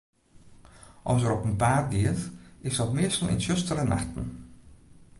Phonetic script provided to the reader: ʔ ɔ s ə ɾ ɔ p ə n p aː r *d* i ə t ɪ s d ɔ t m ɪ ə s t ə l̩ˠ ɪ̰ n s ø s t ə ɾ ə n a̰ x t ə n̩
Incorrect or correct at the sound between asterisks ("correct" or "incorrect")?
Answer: correct